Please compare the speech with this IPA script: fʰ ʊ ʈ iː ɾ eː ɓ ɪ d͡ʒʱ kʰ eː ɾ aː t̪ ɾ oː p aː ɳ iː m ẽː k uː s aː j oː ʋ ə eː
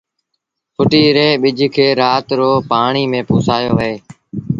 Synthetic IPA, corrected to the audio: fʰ ʊ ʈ iː ɾ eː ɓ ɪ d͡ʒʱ kʰ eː ɾ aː t̪ ɾ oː p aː ɳ iː m ẽː p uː s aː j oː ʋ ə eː